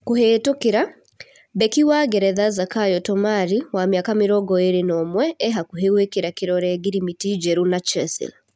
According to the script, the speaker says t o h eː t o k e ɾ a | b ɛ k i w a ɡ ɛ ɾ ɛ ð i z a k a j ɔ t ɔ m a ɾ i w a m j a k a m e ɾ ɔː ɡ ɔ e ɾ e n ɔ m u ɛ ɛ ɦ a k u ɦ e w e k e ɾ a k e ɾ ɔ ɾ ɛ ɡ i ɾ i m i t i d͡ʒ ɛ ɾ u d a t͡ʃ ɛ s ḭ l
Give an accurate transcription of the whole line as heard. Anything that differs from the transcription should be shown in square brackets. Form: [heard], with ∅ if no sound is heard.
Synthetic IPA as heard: [k] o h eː t o k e ɾ a | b ɛ k i w a ɡ ɛ ɾ ɛ ð [a] z a k a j ɔ t ɔ m a ɾ i w a m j a k a m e ɾ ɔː ɡ ɔ e ɾ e n ɔ m [w] ɛ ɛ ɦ a k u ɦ e w e k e ɾ a k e ɾ ɔ ɾ ɛ ɡ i ɾ i m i t i d͡ʒ ɛ ɾ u [n] a t͡ʃ ɛ s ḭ l